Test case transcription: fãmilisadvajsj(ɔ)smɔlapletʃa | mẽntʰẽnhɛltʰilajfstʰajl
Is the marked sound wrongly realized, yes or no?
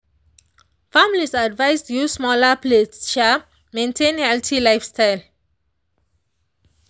yes